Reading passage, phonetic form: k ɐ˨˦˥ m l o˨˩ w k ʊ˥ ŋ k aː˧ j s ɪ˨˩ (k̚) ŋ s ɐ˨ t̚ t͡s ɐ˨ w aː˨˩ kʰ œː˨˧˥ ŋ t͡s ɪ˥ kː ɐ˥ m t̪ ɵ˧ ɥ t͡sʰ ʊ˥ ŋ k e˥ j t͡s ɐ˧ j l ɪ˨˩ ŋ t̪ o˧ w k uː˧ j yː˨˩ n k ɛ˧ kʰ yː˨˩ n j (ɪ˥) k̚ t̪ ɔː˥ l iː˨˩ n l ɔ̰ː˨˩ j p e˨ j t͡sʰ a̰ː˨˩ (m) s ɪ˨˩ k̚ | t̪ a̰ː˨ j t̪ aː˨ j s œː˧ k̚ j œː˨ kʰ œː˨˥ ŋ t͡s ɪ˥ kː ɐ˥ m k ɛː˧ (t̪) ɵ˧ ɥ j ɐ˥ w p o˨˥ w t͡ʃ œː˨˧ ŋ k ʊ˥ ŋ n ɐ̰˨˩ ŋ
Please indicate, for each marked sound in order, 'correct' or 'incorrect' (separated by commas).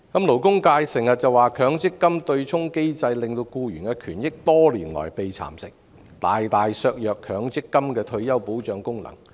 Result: incorrect, correct, correct, incorrect